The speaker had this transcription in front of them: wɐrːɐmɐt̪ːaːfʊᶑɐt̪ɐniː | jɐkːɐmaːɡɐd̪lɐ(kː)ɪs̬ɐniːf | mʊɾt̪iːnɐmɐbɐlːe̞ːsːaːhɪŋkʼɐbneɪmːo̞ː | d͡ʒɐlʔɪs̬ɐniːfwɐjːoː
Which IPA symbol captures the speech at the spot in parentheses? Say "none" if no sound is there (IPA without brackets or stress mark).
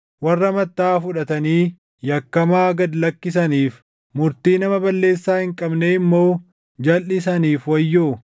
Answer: kː